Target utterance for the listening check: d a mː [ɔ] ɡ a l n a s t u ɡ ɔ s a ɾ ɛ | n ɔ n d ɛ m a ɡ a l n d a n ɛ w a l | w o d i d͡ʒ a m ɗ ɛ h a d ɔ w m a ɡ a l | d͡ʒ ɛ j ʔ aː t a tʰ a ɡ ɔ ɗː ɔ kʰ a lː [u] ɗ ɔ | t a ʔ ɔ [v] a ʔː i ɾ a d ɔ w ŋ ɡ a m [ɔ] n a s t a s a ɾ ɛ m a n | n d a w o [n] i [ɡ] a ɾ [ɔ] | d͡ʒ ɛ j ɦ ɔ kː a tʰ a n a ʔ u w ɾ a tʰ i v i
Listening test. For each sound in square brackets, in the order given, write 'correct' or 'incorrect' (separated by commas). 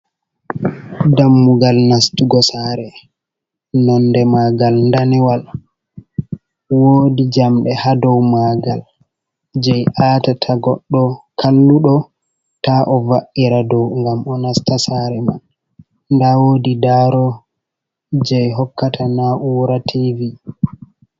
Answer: incorrect, correct, correct, correct, incorrect, incorrect, correct